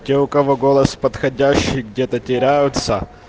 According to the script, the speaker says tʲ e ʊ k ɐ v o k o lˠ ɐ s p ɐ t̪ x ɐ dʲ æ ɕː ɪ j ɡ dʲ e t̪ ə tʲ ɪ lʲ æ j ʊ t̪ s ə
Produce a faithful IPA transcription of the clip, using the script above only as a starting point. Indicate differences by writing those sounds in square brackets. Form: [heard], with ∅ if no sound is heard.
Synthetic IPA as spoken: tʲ e ʊ k ɐ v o [ɡ] o lˠ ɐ s p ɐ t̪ x ɐ dʲ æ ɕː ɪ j ɡ dʲ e t̪ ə tʲ ɪ [ɾʲ] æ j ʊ t̪ s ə